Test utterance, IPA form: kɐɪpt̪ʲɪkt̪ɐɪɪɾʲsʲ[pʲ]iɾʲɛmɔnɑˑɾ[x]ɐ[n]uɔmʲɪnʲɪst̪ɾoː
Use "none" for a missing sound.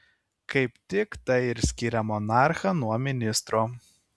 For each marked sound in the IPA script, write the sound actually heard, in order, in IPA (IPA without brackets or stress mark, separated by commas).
kʲ, x, n